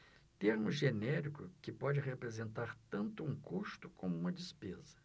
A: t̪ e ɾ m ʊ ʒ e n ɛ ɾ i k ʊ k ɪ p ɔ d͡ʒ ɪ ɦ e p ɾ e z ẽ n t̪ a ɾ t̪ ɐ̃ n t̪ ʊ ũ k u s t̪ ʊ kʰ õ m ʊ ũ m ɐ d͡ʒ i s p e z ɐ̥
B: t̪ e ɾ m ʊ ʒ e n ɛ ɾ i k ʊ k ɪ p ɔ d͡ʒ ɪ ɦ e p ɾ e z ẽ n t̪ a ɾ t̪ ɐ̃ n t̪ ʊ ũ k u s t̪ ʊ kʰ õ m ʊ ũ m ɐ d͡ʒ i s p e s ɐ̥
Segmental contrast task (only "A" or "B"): A